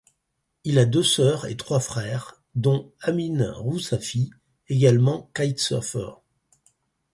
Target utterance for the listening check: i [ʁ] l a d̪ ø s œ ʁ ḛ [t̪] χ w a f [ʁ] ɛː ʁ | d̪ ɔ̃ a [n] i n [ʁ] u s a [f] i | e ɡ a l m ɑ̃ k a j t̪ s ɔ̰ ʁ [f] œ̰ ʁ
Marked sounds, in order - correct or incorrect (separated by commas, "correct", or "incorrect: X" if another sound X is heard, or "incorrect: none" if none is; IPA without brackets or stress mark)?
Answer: incorrect: none, correct, incorrect: χ, incorrect: m, correct, correct, correct